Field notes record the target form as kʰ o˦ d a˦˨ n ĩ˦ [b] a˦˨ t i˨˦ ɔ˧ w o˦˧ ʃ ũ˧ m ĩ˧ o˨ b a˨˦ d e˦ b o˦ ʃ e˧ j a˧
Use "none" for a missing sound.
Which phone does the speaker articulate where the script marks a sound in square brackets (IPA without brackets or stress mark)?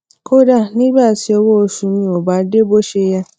b